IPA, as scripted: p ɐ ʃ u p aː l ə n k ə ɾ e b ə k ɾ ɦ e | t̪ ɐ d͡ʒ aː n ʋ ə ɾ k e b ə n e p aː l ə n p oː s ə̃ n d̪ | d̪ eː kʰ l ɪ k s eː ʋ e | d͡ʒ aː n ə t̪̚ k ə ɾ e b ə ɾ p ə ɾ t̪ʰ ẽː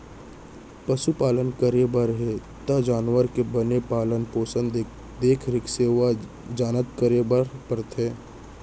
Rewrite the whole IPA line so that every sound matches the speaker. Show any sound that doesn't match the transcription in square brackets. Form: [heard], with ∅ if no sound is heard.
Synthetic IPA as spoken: p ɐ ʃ u p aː l ə n k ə ɾ e b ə [∅] ɾ ɦ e | t̪ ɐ d͡ʒ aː n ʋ ə ɾ k e b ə n e p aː l ə n p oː s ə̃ n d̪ | d̪ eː kʰ [ɾ] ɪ k s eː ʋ [a] | d͡ʒ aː n ə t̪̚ k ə ɾ e b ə ɾ p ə ɾ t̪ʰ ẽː